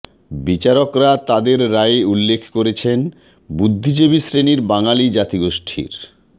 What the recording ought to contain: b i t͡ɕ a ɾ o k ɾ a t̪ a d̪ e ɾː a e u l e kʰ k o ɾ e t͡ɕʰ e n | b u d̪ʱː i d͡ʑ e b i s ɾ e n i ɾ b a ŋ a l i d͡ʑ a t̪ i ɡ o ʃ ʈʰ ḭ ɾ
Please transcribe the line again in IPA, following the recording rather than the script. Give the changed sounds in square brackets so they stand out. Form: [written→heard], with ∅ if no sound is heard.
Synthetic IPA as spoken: b i t͡ɕ a ɾ o k ɾ a t̪ a d̪ e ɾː a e u [l→lː] e kʰ k o ɾ e t͡ɕʰ e n | b u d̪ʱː i d͡ʑ e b i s ɾ e n i ɾ b a ŋ a l i d͡ʑ a t̪ i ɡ o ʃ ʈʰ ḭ ɾ